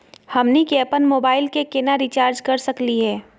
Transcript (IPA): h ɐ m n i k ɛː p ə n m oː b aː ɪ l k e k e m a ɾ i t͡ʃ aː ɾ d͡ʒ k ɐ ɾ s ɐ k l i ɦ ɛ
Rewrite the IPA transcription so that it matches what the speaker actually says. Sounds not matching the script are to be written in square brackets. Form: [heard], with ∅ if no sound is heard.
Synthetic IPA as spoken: h ɐ m n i k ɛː p ə n m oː b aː ɪ l k e k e [n] a ɾ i t͡ʃ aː ɾ d͡ʒ k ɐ ɾ s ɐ k l i ɦ [ɛː]